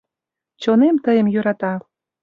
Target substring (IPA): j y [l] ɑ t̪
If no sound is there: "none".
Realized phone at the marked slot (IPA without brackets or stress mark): ɾ